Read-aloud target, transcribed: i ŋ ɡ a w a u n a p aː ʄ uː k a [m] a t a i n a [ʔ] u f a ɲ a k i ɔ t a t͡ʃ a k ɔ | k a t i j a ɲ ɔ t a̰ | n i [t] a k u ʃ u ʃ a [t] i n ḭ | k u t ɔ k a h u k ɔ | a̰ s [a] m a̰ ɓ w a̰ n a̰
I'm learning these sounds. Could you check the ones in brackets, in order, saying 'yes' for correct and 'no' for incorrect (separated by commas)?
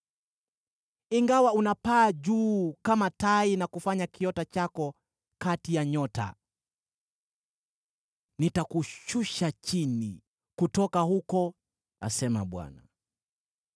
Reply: yes, no, yes, no, no